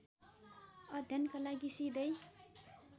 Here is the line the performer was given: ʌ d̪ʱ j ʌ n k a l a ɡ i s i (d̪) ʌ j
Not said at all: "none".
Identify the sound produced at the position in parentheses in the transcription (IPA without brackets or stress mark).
d̪